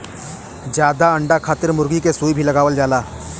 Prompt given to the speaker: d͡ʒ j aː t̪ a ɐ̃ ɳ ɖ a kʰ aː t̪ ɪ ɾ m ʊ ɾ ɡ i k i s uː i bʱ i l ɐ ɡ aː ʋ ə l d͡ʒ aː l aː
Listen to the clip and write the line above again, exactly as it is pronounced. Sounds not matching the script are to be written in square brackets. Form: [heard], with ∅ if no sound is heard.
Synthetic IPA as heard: d͡ʒ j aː [d̪] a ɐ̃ ɳ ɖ a kʰ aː t̪ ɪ ɾ m ʊ ɾ ɡ i k [e] s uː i bʱ i l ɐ ɡ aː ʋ ə l d͡ʒ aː l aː